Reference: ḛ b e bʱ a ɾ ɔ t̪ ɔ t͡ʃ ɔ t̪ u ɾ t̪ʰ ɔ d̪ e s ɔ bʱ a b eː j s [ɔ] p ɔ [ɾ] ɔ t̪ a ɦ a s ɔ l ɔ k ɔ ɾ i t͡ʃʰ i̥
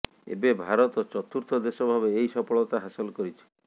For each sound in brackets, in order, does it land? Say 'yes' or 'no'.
yes, no

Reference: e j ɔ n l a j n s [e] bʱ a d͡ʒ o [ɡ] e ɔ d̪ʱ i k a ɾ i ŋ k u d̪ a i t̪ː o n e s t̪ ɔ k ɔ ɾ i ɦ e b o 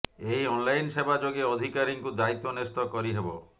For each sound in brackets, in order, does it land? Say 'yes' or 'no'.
yes, yes

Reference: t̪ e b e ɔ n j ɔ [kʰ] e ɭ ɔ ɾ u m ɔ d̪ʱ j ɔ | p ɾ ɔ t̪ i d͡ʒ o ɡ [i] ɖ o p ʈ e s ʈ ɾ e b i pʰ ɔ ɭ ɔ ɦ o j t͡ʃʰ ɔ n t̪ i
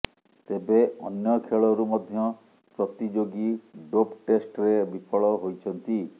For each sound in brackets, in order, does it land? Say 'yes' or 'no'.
yes, yes

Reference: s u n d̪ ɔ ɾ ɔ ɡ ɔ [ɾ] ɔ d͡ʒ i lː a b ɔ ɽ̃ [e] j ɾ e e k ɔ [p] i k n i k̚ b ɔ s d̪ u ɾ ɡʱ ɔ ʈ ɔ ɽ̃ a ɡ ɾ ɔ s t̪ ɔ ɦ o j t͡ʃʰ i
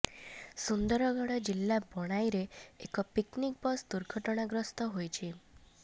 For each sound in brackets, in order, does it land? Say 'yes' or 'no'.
no, no, yes

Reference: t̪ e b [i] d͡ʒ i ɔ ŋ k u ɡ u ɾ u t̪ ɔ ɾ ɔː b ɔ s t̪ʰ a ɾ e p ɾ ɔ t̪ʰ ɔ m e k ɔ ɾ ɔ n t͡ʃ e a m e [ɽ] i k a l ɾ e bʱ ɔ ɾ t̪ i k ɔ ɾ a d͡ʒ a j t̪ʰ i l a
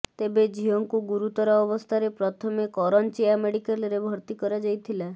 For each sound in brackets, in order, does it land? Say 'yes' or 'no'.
no, yes

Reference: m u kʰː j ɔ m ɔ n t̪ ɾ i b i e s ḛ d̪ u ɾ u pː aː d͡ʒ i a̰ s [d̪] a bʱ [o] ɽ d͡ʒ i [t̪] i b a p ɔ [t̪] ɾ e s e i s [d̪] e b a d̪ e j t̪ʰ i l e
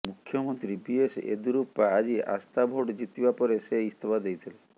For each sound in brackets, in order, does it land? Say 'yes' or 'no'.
no, yes, yes, no, no

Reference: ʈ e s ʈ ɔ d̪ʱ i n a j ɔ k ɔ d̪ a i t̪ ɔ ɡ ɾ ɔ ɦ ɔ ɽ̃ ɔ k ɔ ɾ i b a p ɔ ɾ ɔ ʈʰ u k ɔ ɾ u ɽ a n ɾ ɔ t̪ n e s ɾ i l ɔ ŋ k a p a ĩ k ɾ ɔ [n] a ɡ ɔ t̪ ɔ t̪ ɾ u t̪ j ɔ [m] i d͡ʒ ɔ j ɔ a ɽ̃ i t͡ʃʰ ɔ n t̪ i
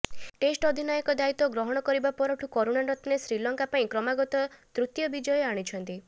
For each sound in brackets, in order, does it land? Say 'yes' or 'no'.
no, no

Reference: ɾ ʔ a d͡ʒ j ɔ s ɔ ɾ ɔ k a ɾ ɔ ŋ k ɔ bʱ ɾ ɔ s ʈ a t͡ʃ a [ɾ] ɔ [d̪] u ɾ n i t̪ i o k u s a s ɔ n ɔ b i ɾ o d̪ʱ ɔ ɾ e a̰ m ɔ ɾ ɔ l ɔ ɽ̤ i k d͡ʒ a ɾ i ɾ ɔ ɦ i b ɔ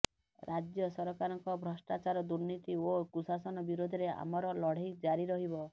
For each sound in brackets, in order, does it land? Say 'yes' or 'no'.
yes, yes

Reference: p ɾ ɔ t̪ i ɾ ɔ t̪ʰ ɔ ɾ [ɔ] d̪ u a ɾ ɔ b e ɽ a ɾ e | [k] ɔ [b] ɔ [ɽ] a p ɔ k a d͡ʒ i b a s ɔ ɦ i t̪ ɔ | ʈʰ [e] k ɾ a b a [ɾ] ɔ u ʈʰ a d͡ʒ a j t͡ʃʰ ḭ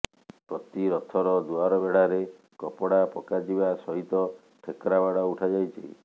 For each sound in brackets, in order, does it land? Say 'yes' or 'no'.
yes, yes, no, yes, yes, no

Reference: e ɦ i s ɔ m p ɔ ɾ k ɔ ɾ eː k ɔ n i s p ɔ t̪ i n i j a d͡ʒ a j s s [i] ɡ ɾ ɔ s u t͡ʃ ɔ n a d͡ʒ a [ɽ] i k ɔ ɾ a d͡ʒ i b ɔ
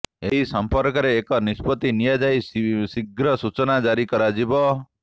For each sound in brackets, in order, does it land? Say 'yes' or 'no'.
yes, no

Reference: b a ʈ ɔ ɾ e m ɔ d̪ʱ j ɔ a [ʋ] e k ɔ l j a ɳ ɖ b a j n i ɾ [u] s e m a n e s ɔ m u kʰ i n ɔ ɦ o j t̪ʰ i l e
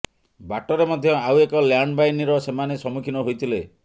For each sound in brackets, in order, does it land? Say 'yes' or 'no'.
no, no

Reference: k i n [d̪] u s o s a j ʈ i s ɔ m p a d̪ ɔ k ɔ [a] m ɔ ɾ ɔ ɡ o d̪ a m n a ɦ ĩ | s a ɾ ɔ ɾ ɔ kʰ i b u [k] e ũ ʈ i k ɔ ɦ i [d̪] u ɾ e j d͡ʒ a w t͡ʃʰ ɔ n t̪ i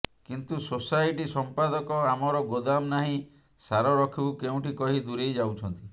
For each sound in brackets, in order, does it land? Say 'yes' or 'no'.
no, yes, yes, yes

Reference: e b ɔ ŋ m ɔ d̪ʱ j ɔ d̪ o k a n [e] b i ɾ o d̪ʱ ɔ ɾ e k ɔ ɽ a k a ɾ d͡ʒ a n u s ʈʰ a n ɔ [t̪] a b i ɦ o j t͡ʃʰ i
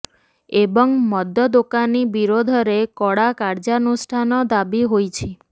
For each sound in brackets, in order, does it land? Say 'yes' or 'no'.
no, no

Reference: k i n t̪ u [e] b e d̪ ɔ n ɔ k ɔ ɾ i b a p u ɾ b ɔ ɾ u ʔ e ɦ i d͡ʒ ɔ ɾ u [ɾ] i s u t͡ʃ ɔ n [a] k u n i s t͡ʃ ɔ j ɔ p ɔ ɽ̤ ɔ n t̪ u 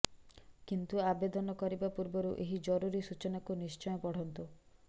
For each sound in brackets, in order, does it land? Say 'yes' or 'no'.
no, yes, yes

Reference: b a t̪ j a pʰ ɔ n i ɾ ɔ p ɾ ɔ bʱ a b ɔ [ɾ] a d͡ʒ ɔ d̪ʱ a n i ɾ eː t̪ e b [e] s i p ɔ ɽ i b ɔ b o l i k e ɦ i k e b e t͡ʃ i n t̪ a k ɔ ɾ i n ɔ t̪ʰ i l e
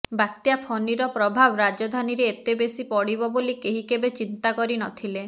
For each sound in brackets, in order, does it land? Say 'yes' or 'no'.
yes, yes

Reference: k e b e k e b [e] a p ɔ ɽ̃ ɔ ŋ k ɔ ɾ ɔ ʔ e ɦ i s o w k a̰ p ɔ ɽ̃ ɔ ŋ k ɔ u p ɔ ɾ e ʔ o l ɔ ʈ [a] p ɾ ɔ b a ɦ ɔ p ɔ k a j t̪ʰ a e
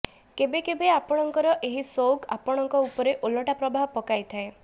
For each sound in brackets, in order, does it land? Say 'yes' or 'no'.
yes, yes

